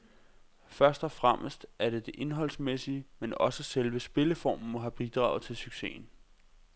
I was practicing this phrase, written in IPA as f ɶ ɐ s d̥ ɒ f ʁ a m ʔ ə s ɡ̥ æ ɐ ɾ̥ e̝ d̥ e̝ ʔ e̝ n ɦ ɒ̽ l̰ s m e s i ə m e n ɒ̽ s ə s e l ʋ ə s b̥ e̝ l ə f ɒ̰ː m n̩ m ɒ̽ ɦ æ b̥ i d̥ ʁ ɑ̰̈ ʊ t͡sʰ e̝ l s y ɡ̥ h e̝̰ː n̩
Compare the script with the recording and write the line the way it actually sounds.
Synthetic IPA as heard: f ɶ ɐ s d̥ ɒ f ʁ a m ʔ ə s d̥ æ ɐ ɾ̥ e̝ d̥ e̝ ʔ e̝ n ɦ ɒ̽ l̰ s m e s i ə m e n ɒ̽ s ə s e l ʋ ə s b̥ e̝ l ə f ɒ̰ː m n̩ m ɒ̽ ɦ æ b̥ i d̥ ʁ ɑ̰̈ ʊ t͡sʰ e̝ l s y ɡ̥ s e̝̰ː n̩

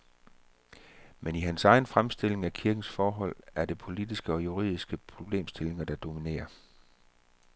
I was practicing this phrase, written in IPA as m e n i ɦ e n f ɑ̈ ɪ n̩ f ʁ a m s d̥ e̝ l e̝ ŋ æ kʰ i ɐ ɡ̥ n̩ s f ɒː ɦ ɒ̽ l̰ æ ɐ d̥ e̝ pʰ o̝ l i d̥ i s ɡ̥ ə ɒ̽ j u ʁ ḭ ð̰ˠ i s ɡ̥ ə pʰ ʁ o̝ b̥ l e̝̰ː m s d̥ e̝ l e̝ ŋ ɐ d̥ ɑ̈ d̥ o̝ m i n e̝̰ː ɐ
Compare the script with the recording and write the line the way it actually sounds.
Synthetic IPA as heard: m e n i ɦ æ n s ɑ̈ ɪ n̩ f ʁ a m s d̥ e̝ l e̝ ŋ æ kʰ i ɐ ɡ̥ n̩ s f ɒː ɦ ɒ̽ l̰ æ ɐ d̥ e̝ pʰ o̝ l i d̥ i s ɡ̥ ə ɒ̽ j u ʁ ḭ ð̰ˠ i s ɡ̥ ə pʰ ʁ o̝ b̥ l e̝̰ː m s d̥ e̝ l e̝ ŋ ɐ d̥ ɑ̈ d̥ o̝ m i n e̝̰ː ɐ

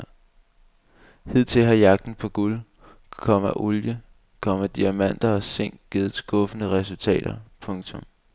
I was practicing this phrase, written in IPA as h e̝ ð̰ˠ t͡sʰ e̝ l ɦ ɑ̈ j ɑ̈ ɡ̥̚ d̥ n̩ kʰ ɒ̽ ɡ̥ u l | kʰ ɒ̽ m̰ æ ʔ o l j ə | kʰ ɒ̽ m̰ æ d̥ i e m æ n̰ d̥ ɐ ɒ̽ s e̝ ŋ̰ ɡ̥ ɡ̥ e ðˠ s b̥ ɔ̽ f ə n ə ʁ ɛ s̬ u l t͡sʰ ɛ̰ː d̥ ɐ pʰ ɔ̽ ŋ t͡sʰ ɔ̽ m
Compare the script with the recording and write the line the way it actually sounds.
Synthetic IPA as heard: h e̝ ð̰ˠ t͡sʰ e̝ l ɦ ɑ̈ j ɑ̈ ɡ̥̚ d̥ n̩ pʰ ɒ̽ ɡ̥ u l | kʰ ɒ̽ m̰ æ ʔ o l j ə | kʰ ɒ̽ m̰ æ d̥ i æ m æ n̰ d̥ ɐ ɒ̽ s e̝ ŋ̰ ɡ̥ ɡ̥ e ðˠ s ɡ̥ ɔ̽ f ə n ə ʁ ɛ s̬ u l t͡sʰ ɛ̰ː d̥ ɐ pʰ ɔ̽ ŋ t͡sʰ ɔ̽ m

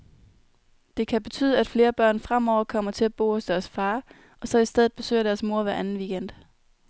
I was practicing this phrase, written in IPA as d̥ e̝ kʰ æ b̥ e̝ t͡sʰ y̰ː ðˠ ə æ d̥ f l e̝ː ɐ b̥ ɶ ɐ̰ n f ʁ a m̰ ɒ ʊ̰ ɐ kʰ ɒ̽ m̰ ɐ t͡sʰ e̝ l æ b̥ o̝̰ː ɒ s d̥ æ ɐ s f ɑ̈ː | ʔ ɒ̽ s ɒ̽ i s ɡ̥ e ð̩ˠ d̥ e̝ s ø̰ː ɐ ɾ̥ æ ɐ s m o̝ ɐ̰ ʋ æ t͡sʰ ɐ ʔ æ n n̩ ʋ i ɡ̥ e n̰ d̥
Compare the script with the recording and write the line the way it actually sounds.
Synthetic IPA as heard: d̥ e̝ kʰ æ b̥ e̝ t͡sʰ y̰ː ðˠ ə æ d̥ f l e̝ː ɐ b̥ ɶ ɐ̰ n f ʁ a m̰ ɒ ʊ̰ ɐ kʰ ɒ̽ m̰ ɐ t͡sʰ e̝ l æ b̥ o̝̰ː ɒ s d̥ æ ɐ s f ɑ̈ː | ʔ ɒ̽ s ɒ̽ i s d̥ e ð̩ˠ b̥ e̝ s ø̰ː ɐ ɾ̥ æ ɐ s m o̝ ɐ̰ ʋ æ ɐ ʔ æ n n̩ ʋ i ɡ̥ e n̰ d̥

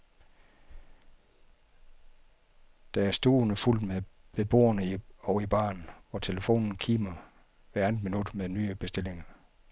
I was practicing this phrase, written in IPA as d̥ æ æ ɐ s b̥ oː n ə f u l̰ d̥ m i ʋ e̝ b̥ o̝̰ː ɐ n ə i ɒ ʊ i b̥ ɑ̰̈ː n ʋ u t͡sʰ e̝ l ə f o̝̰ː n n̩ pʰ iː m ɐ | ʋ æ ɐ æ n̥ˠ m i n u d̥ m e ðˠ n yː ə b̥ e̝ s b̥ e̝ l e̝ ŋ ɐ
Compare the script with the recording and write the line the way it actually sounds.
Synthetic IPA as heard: d̥ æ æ ɐ s d̥ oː n ə f u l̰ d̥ m e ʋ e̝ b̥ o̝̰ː ɐ n ə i ɒ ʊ i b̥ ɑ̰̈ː n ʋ ɒ t͡sʰ e̝ l ə f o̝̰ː n n̩ kʰ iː m ɐ | ʋ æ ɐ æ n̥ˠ m i n u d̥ m e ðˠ n yː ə b̥ e̝ s d̥ e̝ l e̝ ŋ ɐ

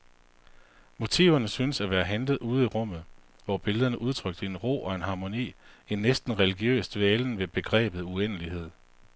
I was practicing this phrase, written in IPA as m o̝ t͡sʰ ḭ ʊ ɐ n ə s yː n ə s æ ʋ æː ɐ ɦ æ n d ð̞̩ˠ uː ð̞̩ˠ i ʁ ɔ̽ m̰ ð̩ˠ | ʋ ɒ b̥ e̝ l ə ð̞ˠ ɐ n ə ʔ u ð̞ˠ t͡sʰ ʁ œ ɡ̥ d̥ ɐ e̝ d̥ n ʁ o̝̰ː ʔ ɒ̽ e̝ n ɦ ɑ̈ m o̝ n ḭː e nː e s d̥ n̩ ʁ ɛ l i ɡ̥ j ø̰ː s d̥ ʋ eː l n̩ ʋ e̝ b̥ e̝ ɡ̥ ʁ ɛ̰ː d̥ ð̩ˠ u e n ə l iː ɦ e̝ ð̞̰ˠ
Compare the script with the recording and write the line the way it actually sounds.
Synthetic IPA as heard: m o̝ t͡sʰ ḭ ʊ ɐ n ə s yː n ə s æ ʋ æː ɐ ɦ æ n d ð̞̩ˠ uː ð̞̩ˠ i ʁ ɔ̽ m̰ ð̩ˠ | ʋ ɒ b̥ e̝ l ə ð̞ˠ ɐ n ə ʔ u ð̞ˠ t͡sʰ ʁ œ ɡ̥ d̥ ə e̝ n ʁ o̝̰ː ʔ ɒ̽ e̝ n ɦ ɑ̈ m o̝ n ḭː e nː e s d̥ n̩ ʁ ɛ l i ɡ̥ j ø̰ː s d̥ ʋ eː l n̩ ʋ e̝ b̥ e̝ ɡ̥ ʁ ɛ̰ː b̥ ð̩ˠ u e n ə l i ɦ e̝ ð̞̰ˠ

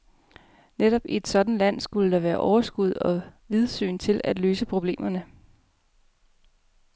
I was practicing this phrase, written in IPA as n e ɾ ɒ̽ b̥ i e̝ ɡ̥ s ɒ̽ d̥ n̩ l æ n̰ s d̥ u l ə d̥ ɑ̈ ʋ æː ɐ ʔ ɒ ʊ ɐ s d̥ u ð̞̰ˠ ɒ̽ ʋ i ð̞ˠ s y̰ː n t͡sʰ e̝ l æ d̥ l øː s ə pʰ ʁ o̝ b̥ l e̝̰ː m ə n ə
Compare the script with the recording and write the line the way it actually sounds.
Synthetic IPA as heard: n e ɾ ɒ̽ b̥ i e̝ d̥ s ɒ̽ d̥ n̩ l æ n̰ s ɡ̥ u l ə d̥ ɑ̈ ʋ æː ɐ ʔ ɒ ʊ ɐ s ɡ̥ u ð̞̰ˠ ɒ̽ ʋ i ð̞ˠ s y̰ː n t͡sʰ e̝ l æ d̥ l øː s ə pʰ ʁ o̝ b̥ l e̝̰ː m ɐ n ə

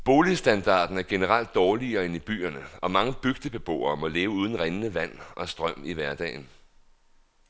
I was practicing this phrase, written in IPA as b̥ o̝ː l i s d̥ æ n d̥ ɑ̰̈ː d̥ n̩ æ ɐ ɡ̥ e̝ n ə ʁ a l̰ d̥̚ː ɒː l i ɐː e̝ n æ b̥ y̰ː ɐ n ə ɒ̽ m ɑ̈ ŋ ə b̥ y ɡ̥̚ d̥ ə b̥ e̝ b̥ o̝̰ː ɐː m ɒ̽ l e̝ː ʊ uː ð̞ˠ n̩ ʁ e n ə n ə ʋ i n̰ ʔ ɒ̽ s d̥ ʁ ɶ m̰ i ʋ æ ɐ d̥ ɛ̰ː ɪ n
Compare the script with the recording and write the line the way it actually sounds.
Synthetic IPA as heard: b̥ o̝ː l i s d̥ æ n d̥ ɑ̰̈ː d̥ n̩ æ ɐ ɡ̥ e̝ n ə ʁ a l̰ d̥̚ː ɒː l i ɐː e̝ n i b̥ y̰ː ɐ n ə ɒ̽ m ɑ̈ ŋ ə b̥ y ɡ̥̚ d̥ ə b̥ e̝ b̥ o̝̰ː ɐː m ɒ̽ l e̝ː ʊ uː ð̞ˠ n̩ ʁ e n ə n ə ʋ æ n̰ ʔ ɒ̽ s d̥ ʁ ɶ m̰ i ʋ æ ɐ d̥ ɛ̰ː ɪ n

